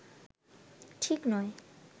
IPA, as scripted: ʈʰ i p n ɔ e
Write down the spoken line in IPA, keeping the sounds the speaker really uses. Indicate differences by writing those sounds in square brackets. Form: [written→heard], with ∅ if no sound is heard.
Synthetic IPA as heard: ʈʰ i [p→k] n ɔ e